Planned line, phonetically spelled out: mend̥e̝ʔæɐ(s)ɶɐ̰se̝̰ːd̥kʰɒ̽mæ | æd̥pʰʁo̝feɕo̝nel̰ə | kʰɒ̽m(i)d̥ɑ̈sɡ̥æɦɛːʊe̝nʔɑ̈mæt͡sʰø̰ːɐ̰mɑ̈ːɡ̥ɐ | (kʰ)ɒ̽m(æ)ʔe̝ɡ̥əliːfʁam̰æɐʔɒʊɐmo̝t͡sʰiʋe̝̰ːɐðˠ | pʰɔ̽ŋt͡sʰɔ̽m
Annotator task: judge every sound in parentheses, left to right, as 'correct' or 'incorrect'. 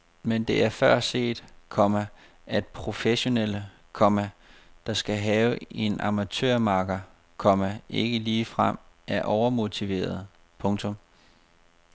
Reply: incorrect: f, incorrect: æ, correct, correct

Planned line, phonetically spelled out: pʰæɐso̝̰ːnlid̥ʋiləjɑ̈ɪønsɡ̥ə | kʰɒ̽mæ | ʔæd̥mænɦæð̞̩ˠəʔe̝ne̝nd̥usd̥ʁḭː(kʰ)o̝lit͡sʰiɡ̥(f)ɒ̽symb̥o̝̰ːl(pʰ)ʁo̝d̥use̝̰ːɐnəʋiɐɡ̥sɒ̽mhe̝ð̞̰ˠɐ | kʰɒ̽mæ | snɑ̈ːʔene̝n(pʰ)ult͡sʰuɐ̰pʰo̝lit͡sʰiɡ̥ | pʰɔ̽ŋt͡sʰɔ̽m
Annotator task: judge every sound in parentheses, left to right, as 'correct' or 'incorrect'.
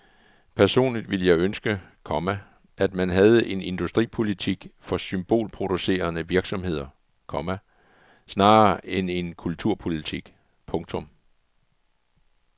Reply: incorrect: pʰ, correct, correct, incorrect: kʰ

